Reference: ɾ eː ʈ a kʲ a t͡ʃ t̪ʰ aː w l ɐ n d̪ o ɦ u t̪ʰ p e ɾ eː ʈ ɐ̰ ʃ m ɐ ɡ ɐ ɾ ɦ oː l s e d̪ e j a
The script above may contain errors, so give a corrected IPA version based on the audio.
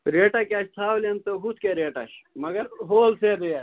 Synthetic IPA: ɾ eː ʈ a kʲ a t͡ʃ t̪ʰ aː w l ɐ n t̪ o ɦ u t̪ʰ k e ɾ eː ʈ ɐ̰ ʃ m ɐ ɡ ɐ ɾ ɦ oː l s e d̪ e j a